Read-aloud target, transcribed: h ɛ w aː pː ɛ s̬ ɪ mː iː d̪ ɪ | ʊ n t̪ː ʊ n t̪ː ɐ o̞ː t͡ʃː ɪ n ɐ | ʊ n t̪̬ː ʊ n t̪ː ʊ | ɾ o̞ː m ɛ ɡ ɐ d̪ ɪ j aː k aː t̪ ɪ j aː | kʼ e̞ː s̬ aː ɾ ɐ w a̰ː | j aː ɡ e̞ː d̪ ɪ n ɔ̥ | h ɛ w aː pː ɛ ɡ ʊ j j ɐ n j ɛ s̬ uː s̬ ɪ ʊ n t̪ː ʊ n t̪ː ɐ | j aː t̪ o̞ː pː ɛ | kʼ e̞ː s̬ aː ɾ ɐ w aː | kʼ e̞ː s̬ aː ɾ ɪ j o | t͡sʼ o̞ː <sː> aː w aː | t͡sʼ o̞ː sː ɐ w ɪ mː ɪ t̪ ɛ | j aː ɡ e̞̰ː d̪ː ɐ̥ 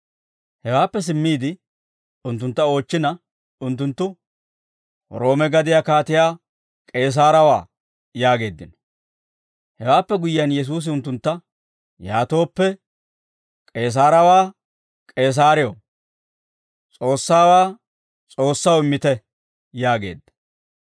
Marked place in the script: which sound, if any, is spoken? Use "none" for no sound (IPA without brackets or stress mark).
sː